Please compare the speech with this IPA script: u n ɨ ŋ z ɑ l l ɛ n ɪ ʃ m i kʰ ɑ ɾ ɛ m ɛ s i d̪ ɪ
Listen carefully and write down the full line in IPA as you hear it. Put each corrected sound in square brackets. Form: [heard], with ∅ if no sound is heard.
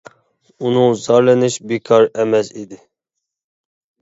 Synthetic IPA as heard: u n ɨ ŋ z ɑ [ɾ] l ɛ n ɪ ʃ [b] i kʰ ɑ ɾ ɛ m ɛ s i d̪ ɪ